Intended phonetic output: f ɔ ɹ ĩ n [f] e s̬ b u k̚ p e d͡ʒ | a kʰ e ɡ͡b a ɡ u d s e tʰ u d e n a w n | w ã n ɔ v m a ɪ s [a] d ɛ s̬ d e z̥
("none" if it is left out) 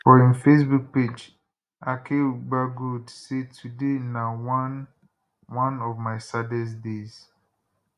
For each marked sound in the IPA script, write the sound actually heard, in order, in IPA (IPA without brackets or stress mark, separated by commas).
f, a